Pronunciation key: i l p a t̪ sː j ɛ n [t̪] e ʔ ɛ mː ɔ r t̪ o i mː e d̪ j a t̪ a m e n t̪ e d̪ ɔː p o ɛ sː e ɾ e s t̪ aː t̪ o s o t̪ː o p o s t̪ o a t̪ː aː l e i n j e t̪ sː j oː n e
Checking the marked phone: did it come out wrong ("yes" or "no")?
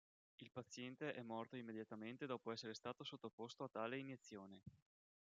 no